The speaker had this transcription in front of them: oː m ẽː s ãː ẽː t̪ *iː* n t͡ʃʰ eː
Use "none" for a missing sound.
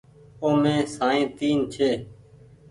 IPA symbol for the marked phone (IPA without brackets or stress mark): iː